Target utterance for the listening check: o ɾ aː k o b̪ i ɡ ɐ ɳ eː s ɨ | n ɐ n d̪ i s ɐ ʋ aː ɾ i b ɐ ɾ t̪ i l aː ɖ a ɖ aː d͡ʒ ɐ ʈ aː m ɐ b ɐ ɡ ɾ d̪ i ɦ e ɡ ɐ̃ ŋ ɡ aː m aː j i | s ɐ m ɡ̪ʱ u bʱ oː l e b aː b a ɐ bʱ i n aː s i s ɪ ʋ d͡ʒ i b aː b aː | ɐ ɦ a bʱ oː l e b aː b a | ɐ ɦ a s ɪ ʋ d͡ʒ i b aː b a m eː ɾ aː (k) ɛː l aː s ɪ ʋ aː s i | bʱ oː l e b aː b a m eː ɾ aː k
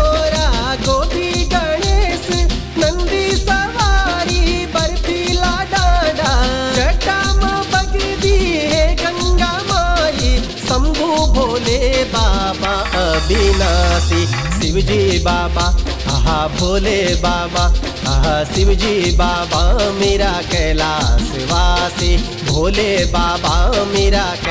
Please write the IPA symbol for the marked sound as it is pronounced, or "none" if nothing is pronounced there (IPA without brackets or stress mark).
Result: k